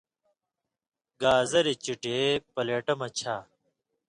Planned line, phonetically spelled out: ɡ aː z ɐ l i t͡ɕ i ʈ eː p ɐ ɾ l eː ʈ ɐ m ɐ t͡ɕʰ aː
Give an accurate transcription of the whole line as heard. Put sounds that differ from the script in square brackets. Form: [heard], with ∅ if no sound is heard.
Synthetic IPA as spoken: ɡ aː z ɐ [ɾ] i t͡ɕ i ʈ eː p ɐ [∅] l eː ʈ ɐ m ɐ t͡ɕʰ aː